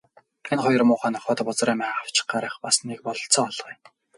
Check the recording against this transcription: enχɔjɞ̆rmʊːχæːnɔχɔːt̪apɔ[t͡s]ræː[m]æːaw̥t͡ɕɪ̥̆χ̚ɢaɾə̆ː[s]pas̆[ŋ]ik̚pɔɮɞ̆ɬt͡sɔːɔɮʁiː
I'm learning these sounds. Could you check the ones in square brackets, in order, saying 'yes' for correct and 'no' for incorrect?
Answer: yes, yes, no, no

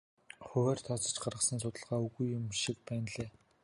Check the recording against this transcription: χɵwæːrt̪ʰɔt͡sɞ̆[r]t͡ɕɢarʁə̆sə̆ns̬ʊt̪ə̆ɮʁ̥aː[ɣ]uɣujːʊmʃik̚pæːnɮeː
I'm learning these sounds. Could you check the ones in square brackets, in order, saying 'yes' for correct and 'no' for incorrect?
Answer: no, no

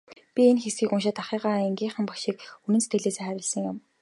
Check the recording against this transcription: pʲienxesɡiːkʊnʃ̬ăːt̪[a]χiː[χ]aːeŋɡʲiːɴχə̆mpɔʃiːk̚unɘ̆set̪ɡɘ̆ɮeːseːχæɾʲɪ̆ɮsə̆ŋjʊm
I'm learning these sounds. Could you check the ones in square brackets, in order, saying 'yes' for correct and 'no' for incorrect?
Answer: yes, no

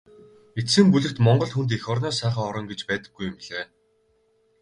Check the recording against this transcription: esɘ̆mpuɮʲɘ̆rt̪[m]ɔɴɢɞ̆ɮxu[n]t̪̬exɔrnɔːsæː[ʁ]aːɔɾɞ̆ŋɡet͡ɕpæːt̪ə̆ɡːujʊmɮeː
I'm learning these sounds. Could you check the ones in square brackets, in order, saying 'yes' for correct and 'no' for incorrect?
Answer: yes, yes, no

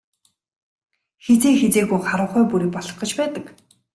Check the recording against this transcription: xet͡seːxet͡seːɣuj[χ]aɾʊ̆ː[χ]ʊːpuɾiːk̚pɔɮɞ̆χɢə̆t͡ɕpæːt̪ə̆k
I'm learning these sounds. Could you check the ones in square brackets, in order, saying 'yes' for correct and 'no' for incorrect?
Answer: yes, yes

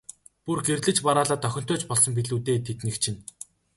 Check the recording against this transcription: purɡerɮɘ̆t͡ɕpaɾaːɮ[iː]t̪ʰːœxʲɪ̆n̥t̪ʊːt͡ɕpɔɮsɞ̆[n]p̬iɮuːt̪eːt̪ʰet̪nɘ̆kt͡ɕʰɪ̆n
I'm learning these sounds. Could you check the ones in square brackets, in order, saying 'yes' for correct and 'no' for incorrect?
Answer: no, no

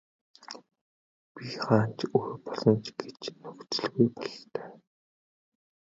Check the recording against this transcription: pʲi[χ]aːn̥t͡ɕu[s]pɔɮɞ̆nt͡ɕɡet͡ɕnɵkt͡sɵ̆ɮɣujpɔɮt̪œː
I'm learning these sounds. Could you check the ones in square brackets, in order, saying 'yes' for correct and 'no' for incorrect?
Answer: yes, no

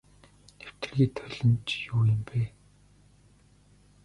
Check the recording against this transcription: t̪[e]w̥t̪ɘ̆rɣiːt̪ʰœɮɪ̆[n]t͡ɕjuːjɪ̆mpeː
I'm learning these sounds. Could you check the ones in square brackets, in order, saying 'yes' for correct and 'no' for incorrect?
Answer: yes, yes

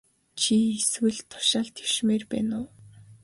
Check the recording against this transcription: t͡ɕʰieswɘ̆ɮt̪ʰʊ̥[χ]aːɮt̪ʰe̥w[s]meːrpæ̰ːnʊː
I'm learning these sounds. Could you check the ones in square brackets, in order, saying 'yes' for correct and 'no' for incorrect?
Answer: no, no

